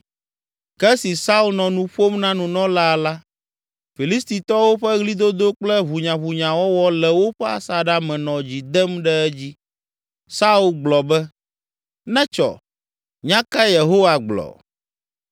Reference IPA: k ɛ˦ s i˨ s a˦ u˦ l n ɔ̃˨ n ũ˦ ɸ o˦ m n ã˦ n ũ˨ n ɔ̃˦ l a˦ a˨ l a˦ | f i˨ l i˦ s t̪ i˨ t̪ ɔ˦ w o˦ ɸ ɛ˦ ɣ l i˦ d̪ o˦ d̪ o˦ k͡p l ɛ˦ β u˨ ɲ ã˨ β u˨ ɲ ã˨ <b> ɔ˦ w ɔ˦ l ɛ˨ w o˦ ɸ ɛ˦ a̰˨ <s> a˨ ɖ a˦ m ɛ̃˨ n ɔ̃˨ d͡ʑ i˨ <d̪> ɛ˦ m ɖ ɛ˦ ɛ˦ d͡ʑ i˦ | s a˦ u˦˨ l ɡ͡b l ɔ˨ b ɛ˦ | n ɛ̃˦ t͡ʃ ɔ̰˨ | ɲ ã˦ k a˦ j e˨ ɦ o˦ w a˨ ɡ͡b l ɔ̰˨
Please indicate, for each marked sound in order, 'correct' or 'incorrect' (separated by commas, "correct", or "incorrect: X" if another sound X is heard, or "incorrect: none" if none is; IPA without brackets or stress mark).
incorrect: w, correct, correct